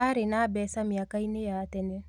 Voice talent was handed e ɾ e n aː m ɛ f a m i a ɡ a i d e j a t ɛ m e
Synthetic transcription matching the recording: a ɾ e n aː b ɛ s a m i a k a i n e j a t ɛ n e